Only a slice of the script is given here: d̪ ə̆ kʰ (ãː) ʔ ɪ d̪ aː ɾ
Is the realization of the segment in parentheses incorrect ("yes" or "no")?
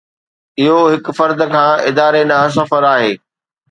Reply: no